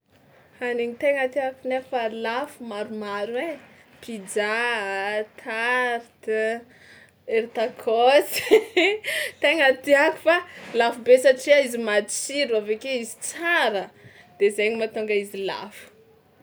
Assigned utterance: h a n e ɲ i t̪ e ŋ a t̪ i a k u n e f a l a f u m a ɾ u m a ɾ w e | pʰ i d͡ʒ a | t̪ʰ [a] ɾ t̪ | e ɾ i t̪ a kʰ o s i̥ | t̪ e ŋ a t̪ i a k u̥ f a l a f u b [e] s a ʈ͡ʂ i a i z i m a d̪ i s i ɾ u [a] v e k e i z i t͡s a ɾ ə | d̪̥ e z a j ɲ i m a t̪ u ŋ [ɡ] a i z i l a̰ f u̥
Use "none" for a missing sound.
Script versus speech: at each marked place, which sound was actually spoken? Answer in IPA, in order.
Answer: a, e, a, ɡ

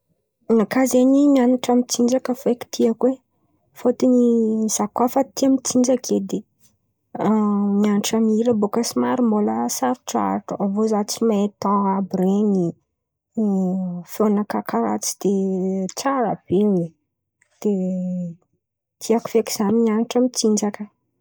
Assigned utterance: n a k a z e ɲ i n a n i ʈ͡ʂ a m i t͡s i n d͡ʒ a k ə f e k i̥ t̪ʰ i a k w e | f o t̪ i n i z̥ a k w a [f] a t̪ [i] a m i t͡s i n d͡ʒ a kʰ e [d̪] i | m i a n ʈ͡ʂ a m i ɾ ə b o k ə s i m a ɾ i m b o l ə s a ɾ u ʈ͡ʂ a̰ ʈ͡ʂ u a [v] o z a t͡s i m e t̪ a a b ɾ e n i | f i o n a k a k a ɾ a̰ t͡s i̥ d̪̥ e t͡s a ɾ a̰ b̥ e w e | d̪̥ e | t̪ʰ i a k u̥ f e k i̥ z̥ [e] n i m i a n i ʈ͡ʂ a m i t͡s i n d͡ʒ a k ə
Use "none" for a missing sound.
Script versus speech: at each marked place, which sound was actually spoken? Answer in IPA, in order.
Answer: f, i, d̪, v, a

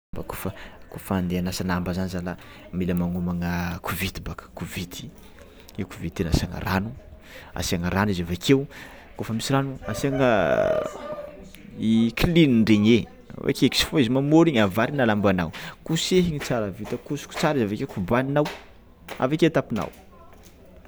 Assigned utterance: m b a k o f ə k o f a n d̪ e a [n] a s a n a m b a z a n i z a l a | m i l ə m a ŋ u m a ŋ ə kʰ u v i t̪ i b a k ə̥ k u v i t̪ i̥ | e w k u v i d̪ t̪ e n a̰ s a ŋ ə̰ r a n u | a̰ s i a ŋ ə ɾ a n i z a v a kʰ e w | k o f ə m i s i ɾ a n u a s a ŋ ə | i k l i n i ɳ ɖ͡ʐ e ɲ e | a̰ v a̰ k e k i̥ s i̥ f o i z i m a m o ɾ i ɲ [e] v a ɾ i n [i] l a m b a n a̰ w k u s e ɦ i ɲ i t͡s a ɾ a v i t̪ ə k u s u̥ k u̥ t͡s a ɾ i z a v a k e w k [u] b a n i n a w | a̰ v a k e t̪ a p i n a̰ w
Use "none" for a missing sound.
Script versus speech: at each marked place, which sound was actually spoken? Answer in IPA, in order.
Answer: n, a, a, u

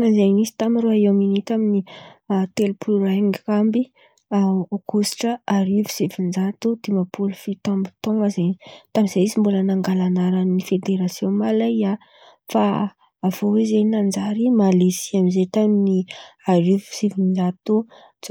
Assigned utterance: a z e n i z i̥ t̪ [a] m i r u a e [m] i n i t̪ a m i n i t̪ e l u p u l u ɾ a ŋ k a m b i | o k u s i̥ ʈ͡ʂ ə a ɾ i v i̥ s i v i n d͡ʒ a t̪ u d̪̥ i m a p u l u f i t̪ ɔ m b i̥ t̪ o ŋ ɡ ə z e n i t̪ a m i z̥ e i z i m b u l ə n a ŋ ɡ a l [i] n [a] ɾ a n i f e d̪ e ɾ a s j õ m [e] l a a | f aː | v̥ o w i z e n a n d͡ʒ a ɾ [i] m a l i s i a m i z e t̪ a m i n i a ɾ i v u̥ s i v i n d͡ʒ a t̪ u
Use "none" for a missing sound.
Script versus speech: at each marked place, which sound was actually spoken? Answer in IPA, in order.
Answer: a, m, a, a, a, i

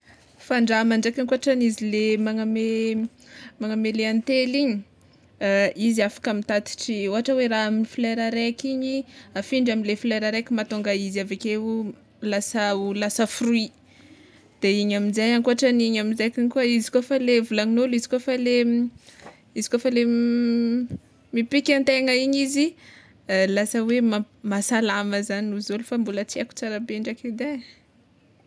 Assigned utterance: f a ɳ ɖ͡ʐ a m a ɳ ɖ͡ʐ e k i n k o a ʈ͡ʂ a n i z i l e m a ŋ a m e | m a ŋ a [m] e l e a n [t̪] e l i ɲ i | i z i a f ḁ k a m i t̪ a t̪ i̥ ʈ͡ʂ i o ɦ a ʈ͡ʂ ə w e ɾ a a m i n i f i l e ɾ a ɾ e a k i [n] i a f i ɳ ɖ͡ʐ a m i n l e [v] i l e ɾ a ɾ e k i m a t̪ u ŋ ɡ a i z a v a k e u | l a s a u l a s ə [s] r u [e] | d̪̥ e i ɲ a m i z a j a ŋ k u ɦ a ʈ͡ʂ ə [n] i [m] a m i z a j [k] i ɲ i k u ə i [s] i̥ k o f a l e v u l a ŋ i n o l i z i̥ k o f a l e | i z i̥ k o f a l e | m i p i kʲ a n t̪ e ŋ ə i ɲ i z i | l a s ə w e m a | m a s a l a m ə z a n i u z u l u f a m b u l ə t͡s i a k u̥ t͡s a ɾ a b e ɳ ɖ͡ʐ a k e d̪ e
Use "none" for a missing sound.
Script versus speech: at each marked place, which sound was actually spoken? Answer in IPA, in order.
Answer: m, t̪, ɲ, f, f, i, n, ɲ, k, z

